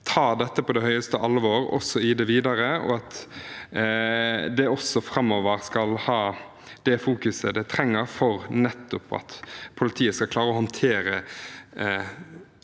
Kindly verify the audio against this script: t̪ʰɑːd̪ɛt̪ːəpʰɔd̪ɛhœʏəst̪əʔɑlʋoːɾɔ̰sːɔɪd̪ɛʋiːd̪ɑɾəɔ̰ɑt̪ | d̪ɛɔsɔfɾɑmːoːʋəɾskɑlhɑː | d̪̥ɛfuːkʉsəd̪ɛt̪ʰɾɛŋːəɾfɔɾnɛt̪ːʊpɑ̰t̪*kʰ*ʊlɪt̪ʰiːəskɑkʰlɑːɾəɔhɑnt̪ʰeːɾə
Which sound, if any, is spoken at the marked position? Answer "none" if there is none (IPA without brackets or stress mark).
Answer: pʰ